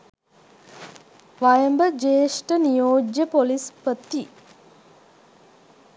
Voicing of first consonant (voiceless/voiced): voiced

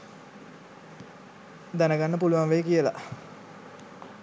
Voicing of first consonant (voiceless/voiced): voiced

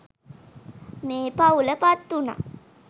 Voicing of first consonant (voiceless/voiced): voiced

